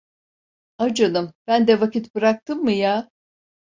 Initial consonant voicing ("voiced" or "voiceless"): voiced